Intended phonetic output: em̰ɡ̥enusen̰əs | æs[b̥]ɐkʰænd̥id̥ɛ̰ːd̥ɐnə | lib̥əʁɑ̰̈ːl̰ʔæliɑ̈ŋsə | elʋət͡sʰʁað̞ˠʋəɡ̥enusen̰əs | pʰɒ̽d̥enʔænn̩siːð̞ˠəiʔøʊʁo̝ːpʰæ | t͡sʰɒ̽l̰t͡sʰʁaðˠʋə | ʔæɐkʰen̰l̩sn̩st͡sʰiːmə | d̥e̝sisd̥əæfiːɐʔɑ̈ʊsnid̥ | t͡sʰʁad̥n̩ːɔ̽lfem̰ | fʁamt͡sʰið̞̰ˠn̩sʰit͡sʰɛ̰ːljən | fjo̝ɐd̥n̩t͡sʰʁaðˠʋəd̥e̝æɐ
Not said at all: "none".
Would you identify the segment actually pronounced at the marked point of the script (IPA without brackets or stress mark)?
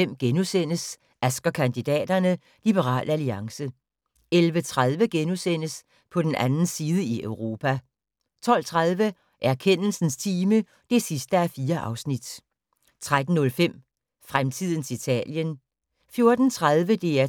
ɡ̥